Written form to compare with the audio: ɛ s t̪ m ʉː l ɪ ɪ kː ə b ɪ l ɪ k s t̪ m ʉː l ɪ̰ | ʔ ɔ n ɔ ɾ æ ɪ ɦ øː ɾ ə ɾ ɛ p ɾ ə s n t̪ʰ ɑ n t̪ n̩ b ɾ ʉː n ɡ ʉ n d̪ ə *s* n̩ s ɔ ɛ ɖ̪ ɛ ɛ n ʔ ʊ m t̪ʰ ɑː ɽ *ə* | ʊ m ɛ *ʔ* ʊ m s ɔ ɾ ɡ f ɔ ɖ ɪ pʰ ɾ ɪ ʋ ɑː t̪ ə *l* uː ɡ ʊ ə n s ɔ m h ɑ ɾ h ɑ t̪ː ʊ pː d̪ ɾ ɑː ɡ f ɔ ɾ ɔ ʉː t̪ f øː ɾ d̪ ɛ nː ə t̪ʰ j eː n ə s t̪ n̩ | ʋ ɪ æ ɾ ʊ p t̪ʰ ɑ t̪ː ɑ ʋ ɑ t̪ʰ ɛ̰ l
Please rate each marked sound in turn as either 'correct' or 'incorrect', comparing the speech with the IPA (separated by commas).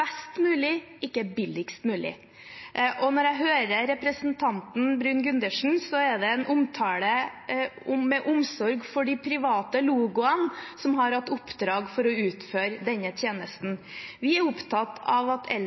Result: incorrect, correct, correct, correct